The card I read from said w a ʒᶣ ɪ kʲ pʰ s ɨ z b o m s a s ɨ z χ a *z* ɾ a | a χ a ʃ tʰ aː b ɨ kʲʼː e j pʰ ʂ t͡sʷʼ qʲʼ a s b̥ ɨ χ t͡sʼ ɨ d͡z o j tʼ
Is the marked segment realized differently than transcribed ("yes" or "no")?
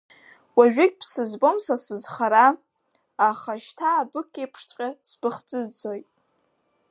yes